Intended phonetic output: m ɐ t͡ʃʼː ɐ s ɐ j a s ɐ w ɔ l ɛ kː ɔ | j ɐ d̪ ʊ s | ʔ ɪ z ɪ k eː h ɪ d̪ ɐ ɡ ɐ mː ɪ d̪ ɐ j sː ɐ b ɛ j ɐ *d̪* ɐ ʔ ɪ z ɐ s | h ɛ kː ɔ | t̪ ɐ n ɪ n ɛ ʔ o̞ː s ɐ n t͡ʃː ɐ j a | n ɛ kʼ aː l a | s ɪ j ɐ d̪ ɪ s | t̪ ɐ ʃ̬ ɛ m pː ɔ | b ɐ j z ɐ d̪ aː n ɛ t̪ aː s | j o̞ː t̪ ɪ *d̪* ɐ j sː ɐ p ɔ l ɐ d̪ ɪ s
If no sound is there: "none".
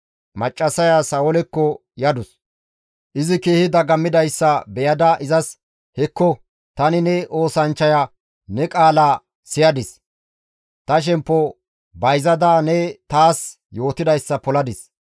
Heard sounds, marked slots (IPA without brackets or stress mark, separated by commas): d̪, d̪